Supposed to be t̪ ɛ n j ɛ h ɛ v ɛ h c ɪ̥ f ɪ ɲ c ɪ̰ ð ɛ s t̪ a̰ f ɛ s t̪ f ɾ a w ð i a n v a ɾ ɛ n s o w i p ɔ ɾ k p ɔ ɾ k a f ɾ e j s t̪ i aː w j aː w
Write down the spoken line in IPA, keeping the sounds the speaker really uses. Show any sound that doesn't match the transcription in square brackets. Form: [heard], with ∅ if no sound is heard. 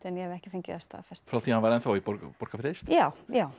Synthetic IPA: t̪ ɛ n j ɛ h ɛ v ɛ h c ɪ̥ f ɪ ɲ c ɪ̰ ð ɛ s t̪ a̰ f ɛ s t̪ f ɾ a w [θ] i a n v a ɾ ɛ n [θ] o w i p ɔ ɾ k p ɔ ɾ k a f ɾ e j s t̪ [j] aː w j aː w